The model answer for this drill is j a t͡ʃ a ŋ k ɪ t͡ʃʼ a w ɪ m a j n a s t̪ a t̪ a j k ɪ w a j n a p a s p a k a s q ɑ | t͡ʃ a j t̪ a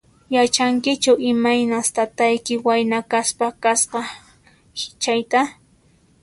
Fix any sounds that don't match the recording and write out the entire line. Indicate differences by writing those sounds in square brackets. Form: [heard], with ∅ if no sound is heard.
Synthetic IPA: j a t͡ʃ a ŋ k ɪ [t͡ʃ] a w ɪ m a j n a s t̪ a t̪ a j k ɪ w a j n a [k] a s p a k a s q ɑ | t͡ʃ a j t̪ a